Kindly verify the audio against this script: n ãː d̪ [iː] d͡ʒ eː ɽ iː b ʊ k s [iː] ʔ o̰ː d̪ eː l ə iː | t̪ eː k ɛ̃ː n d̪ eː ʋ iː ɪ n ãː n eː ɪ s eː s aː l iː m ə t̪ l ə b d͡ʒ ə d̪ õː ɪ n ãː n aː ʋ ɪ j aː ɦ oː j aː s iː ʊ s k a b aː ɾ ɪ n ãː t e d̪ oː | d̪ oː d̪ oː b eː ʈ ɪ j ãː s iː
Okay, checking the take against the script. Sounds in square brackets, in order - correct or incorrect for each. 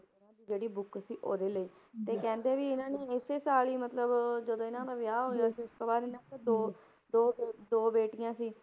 correct, correct

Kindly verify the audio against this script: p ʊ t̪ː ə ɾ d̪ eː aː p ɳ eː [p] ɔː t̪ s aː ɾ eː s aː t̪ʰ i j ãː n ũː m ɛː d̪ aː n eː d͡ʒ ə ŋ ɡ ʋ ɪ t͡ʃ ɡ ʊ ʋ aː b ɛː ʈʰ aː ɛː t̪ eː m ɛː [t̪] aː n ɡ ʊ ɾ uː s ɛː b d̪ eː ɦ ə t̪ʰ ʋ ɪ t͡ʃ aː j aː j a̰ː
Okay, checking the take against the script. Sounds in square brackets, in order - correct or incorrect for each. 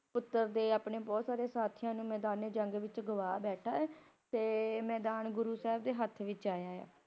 incorrect: b, incorrect: d̪

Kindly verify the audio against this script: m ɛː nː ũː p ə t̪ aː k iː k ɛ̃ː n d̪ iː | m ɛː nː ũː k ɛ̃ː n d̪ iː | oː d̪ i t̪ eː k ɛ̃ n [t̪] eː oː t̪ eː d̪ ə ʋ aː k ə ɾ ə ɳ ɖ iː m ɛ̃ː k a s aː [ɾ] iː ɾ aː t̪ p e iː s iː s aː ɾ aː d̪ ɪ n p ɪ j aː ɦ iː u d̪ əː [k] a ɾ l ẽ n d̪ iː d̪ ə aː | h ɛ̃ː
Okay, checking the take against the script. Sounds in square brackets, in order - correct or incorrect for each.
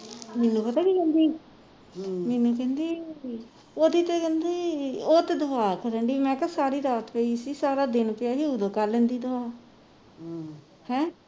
incorrect: d̪, correct, correct

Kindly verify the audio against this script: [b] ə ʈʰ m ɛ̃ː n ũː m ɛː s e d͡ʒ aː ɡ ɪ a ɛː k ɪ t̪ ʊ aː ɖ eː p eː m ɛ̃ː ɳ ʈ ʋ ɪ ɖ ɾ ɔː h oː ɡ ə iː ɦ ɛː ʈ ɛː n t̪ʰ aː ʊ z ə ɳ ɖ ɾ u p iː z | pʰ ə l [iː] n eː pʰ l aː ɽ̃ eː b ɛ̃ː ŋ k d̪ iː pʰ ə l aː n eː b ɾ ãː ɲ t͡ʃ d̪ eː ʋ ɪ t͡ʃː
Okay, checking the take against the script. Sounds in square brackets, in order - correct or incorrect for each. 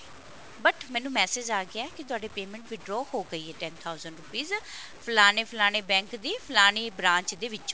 correct, incorrect: aː

